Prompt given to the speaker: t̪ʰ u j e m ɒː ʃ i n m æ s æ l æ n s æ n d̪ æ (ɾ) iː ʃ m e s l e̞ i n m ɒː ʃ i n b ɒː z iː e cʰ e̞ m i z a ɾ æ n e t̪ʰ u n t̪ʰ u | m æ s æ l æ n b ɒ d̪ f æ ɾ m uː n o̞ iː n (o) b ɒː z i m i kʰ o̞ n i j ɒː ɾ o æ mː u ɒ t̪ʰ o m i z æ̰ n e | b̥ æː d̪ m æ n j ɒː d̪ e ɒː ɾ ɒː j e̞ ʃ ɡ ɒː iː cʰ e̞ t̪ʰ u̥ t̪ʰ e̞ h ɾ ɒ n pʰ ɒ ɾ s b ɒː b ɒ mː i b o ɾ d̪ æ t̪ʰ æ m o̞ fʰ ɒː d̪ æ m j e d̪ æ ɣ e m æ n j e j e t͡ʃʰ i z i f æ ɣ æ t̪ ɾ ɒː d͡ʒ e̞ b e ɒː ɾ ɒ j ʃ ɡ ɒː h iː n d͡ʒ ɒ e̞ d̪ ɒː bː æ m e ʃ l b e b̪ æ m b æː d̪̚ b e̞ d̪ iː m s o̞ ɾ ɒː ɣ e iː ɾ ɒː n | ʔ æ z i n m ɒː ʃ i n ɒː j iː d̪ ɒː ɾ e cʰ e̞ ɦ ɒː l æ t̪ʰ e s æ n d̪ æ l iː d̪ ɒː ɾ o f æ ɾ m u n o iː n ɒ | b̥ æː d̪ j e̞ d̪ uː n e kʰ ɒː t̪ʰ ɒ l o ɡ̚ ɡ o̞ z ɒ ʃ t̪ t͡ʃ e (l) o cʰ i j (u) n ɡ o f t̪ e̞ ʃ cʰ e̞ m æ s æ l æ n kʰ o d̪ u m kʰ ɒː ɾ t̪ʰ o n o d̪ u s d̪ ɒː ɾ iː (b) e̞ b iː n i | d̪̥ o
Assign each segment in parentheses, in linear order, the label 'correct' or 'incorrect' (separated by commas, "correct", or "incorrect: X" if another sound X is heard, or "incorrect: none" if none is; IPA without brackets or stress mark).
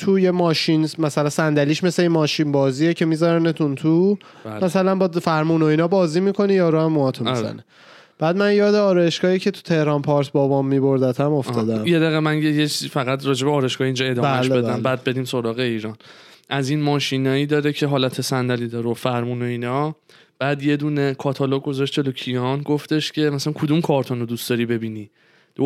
incorrect: l, incorrect: ɒ, correct, incorrect: ɒ, correct